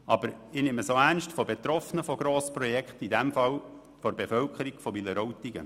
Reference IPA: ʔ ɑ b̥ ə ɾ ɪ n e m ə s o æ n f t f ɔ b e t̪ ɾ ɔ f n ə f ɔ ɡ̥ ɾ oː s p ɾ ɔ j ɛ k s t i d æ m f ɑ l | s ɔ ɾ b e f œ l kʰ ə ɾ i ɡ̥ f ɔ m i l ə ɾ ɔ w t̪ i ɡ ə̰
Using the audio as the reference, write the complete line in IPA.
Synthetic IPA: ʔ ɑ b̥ ə ɾ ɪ n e m ə s o æ n ʃ t f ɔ b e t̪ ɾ ɔ f n ə f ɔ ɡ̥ ɾ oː s p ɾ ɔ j ɛ k χ t i d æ m f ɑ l | f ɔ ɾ b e f œ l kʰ ə ɾ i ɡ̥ f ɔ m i l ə ɾ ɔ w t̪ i ɡ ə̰